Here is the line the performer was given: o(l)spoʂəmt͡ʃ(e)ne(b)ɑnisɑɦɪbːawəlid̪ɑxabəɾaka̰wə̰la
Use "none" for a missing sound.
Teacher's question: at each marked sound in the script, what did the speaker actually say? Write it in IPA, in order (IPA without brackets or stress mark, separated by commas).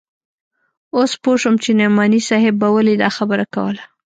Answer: none, e, m